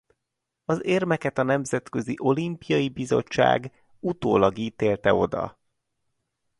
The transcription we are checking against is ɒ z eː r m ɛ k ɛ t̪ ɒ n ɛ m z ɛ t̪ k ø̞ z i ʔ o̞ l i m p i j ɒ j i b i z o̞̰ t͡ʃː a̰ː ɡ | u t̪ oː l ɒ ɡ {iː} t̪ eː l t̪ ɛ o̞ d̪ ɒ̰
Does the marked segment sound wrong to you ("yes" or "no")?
no